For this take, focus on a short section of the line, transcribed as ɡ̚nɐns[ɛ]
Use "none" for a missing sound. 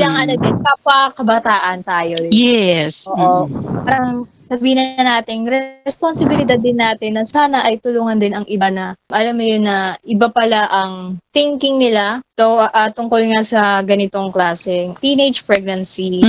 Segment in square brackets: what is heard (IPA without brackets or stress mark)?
i